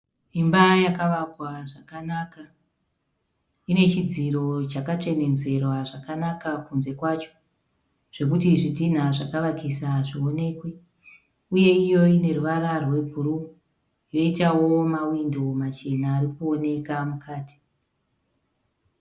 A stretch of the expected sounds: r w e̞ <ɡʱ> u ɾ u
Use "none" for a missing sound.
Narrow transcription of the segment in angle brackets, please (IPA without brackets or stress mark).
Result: bʱ